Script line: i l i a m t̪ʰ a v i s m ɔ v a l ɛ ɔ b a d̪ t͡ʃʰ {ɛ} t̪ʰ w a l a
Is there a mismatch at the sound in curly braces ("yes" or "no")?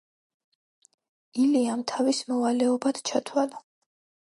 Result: yes